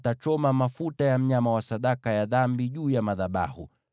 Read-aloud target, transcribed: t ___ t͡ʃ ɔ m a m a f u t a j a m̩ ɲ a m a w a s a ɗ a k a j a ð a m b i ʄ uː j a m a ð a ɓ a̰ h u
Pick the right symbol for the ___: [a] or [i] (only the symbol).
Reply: a